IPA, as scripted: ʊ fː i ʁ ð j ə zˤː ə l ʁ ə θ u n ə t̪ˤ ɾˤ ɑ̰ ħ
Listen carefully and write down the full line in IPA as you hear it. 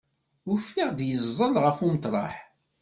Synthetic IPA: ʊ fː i ʁ ð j ə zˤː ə l ʁ ə f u m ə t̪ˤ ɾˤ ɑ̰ ħ